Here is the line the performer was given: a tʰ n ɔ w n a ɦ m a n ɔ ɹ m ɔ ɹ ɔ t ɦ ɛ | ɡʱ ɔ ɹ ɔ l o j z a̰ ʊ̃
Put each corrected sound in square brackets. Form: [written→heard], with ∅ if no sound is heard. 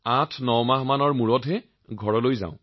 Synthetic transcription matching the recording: a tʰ n ɔ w [n→m] a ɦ m a n ɔ ɹ m [ɔ→u] ɹ ɔ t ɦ ɛ | ɡʱ ɔ ɹ ɔ l o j z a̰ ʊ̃